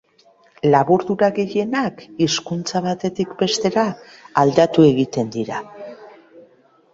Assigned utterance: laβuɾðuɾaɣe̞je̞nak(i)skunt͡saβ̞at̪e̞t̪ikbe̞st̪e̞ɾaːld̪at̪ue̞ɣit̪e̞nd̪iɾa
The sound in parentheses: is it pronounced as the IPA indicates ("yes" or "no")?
yes